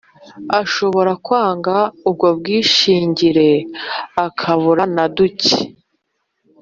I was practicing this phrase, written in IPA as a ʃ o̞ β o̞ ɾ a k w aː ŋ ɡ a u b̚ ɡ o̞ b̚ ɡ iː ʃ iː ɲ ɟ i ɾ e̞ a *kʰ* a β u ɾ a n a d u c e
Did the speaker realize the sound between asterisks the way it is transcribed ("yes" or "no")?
yes